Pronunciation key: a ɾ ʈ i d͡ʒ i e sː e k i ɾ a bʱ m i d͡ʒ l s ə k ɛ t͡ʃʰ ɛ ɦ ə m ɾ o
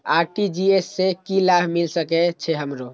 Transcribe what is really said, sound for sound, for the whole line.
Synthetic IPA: a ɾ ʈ i d͡ʒ i e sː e k i l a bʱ m i l s ə k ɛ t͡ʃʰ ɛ ɦ ə m ɾ o